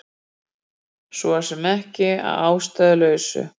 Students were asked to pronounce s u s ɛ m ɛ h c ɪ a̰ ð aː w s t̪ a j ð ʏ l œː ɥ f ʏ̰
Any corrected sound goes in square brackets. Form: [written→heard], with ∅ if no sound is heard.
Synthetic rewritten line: s [u→ɔ] s ɛ m ɛ h c ɪ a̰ ð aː w s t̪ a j ð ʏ l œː ɥ [f→s] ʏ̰